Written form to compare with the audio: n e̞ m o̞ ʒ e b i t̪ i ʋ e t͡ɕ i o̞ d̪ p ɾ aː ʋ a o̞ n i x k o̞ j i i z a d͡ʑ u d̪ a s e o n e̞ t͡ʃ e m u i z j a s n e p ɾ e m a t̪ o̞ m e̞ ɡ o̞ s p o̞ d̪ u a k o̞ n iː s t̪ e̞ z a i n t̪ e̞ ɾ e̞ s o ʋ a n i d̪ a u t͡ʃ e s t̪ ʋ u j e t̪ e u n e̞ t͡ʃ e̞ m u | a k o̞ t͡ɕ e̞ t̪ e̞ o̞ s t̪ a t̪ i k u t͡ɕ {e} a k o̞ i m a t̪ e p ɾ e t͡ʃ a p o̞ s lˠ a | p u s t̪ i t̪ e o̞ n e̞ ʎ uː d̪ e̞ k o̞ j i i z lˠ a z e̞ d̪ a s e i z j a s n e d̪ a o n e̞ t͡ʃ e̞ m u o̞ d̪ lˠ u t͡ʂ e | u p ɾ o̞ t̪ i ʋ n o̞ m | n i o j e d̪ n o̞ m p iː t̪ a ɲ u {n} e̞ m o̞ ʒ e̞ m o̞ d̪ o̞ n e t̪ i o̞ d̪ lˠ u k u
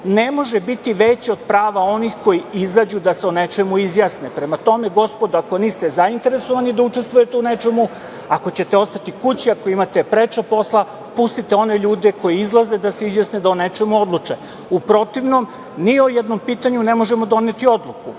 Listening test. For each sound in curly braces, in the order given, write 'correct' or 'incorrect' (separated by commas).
incorrect, correct